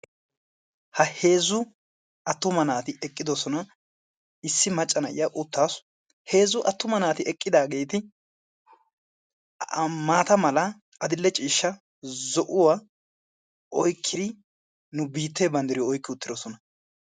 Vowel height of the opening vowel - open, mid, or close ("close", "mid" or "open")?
open